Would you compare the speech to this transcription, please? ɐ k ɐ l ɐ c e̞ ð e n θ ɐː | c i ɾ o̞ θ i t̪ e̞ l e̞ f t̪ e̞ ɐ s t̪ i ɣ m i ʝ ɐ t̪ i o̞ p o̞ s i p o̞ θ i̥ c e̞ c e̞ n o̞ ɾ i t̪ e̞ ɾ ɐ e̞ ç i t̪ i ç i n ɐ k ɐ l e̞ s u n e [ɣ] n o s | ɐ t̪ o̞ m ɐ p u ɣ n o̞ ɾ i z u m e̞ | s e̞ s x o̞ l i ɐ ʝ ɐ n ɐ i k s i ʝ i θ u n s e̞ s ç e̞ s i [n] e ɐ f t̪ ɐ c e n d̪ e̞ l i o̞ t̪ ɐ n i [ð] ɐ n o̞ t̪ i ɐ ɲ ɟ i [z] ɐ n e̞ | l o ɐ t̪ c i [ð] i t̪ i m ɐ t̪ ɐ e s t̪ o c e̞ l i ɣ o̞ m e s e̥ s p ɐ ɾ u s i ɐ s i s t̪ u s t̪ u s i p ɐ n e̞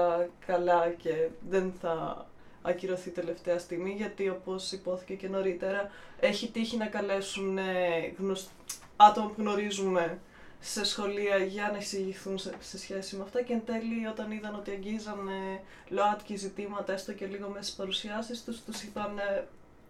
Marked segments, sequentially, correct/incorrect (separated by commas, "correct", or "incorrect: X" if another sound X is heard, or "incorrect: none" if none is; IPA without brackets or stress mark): correct, incorrect: m, correct, correct, incorrect: z